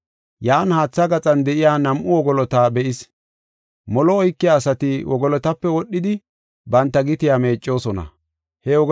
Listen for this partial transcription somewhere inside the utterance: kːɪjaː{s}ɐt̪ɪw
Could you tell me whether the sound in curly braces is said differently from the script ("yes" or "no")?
no